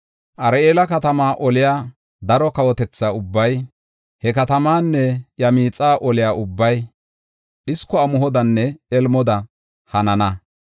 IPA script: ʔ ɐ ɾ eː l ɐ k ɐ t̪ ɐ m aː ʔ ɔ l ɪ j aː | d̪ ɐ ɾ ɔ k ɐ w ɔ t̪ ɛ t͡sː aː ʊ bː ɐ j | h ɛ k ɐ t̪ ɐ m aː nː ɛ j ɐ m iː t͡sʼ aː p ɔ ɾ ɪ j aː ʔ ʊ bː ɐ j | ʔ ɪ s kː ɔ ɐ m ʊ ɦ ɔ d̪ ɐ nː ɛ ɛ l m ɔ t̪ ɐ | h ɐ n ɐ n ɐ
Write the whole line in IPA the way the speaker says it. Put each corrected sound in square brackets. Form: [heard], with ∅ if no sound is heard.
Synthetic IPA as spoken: ʔ ɐ ɾ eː l ɐ k ɐ t̪ ɐ m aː ʔ ɔ l ɪ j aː | d̪ ɐ ɾ ɔ k ɐ w ɔ t̪ ɛ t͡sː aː ʊ bː ɐ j | h ɛ k ɐ t̪ ɐ m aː nː ɛ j ɐ m iː t͡sʼ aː [ʔ] ɔ [l] ɪ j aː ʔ ʊ bː ɐ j | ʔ ɪ s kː ɔ ɐ m ʊ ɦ ɔ d̪ ɐ nː ɛ ɛ l m ɔ [d̪] ɐ | h ɐ n ɐ n ɐ